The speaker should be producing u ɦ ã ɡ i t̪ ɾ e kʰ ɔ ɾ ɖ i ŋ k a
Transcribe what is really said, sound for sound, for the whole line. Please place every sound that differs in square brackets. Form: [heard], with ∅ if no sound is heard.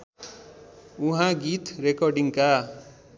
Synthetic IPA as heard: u ɦ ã ɡ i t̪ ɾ e [k] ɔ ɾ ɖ i ŋ k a